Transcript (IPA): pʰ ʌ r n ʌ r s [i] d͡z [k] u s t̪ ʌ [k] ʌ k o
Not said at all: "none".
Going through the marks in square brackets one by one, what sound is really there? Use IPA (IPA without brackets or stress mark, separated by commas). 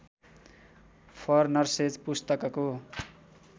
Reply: e, p, k